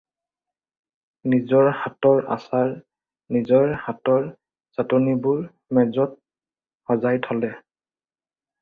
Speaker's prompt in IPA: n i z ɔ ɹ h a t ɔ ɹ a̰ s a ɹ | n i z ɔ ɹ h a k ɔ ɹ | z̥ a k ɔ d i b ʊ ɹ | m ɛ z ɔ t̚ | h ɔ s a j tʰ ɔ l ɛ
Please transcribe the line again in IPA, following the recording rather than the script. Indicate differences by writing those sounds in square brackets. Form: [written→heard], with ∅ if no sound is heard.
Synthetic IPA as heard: n i z ɔ ɹ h a t ɔ ɹ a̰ s a ɹ | n i z ɔ ɹ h a [k→t] ɔ ɹ | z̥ a [k→t] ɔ [d→n] i b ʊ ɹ | m ɛ z ɔ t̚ | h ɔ [s→z] a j tʰ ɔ l ɛ

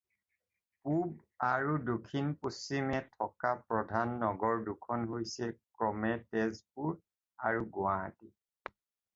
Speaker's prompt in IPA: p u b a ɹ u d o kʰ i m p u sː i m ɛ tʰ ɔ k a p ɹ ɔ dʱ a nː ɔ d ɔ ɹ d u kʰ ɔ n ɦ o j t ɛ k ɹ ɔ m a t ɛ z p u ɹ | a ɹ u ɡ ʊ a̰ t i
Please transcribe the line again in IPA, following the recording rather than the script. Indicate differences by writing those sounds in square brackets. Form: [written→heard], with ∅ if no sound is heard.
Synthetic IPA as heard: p u b a ɹ u d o kʰ i [m→n] p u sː i m ɛ tʰ ɔ k a p ɹ ɔ dʱ a nː ɔ [d→ɡ] ɔ ɹ d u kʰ ɔ n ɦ o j [t→s] ɛ k ɹ ɔ m [a→ɛ] t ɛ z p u ɹ | a ɹ u ɡ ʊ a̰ t i

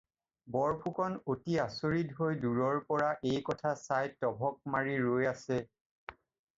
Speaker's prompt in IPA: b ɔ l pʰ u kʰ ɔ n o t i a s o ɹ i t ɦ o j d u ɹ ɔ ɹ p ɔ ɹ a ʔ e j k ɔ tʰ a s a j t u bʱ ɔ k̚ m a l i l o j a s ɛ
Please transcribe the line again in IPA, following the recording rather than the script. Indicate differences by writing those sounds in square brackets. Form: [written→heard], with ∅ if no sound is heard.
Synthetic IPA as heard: b ɔ [l→ɹ] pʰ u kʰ ɔ n o t i a s o ɹ i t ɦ o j d u ɹ ɔ ɹ p ɔ ɹ a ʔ e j k ɔ tʰ a s a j t [u→ɔ] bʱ ɔ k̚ m a [l→ɹ] i [l→ɹ] o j a s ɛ

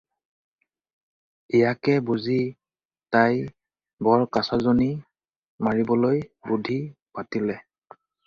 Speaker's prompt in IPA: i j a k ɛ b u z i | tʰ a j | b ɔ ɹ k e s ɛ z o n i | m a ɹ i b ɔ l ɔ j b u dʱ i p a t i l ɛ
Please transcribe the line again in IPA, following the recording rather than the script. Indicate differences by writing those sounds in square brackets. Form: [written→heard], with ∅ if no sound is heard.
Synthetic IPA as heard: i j a k ɛ b u z i | [tʰ→t] a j | b ɔ ɹ k [e→a] s [ɛ→a] z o n i | m a ɹ i b ɔ l [ɔ→o] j b u dʱ i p a t i l ɛ

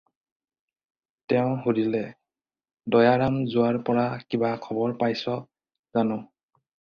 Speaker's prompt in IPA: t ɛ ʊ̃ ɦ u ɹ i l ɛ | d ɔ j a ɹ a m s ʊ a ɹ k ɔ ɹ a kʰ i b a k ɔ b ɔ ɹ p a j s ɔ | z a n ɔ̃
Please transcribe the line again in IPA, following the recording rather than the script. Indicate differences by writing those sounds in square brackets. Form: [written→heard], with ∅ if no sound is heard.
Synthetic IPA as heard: t ɛ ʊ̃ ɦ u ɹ i l ɛ | d ɔ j a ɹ a m [s→z] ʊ a ɹ [k→p] ɔ ɹ a [kʰ→k] i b a [k→kʰ] ɔ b ɔ ɹ p a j s ɔ | z a n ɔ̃

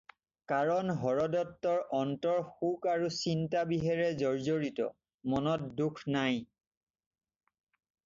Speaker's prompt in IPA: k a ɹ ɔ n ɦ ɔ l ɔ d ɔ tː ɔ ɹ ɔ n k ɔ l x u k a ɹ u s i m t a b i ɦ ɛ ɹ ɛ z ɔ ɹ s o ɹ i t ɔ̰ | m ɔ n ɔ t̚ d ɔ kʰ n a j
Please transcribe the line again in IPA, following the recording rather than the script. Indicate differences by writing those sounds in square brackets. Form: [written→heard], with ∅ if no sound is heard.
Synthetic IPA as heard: k a ɹ ɔ n ɦ ɔ [l→ɹ] ɔ d ɔ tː ɔ ɹ ɔ n [k→t] ɔ [l→ɹ] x u k a ɹ u s i [m→n] t a b i ɦ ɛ ɹ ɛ z ɔ ɹ [s→z] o ɹ i t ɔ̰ | m ɔ n ɔ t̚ d [ɔ→u] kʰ n a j

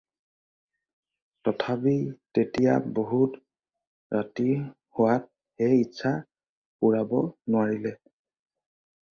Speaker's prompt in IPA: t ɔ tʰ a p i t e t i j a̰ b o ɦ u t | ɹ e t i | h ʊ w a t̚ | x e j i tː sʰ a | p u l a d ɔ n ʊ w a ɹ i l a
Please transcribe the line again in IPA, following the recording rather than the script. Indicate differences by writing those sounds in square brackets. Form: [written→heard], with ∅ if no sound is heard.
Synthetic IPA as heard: t ɔ tʰ a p i t e t i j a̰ b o ɦ u t | ɹ [e→a] t i | h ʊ w a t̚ | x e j i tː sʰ a | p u [l→ɹ] a [d→b] ɔ n ʊ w a ɹ i l [a→ɛ]

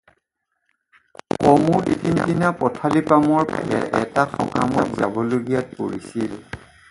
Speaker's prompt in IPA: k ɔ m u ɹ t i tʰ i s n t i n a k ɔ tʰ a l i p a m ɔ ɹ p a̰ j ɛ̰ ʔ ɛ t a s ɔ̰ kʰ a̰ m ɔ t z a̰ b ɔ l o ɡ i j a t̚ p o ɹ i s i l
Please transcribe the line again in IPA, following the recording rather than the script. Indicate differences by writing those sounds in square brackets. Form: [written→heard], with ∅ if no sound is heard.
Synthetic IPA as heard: k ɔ m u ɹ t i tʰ i [s→∅] n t i n a [k→p] ɔ tʰ a l i p a m ɔ ɹ p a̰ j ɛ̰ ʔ ɛ t a [s→x] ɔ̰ [kʰ→k] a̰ m ɔ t z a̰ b ɔ l o ɡ i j a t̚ p o ɹ i s i l

